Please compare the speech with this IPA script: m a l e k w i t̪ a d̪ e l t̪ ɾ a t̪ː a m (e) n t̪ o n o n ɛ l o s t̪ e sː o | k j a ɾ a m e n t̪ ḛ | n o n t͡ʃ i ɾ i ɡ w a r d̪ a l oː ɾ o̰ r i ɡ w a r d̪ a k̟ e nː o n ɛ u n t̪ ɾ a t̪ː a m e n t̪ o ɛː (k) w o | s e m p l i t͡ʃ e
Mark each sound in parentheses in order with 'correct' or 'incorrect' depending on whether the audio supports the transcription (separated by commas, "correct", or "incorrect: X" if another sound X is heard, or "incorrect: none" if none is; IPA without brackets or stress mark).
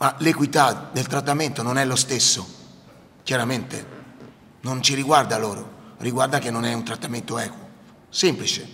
correct, correct